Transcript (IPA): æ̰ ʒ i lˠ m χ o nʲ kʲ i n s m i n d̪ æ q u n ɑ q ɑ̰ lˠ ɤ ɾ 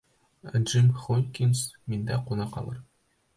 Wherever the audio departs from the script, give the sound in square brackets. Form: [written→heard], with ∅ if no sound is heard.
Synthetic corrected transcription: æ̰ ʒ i [lˠ→∅] m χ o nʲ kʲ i n s m i n d̪ æ q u n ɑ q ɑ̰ lˠ ɤ ɾ